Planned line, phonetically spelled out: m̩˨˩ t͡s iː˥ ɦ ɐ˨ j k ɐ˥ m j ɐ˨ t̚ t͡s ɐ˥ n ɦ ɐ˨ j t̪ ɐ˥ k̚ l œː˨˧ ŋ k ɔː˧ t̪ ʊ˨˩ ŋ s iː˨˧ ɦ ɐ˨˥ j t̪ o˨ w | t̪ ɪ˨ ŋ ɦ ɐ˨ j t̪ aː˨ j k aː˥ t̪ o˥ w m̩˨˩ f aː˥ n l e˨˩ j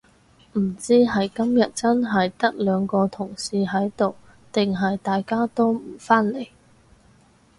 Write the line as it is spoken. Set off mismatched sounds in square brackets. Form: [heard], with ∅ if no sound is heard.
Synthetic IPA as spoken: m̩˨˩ t͡s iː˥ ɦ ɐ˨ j k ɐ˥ m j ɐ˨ t̚ t͡s ɐ˥ n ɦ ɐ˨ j t̪ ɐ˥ k̚ l œː˨˧ ŋ k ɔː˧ [t̪ʰ] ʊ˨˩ ŋ s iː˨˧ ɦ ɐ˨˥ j t̪ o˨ w | t̪ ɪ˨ ŋ ɦ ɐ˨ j t̪ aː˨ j k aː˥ t̪ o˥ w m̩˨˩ f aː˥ n l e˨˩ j